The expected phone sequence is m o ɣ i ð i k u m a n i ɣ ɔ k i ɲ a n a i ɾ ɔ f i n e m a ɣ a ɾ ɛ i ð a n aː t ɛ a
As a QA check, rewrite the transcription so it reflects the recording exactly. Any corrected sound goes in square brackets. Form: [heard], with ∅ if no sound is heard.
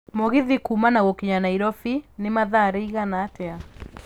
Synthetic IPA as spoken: m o ɣ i ð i k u m a n [a] ɣ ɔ k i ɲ a n a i ɾ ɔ f i n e m a [ð] a ɾ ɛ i [ɣ] a n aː t ɛ a